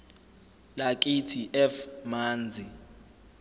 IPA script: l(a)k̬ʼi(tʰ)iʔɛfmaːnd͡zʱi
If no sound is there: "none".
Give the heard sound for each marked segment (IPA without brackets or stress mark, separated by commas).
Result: a, tʰ